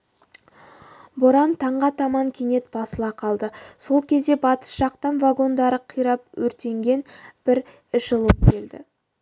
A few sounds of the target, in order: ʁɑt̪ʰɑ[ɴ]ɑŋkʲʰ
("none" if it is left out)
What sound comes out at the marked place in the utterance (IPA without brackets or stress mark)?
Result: m